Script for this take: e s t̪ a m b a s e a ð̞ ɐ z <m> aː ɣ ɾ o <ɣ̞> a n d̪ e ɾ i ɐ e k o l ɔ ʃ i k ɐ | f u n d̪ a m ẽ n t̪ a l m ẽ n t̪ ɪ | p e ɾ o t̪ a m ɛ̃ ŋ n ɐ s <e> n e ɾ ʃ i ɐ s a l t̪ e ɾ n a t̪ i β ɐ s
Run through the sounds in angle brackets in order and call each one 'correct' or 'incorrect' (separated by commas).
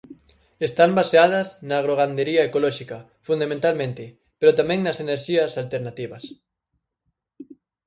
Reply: incorrect, correct, correct